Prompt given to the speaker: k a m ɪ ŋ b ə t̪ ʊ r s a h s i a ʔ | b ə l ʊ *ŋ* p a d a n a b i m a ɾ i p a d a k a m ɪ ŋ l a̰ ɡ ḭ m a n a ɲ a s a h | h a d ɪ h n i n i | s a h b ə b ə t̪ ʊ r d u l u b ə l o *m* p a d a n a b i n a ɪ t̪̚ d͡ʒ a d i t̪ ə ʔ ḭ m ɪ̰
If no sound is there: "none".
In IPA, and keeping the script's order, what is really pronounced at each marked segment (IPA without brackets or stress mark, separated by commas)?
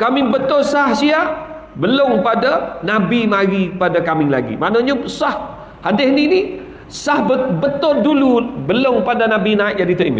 ŋ, ŋ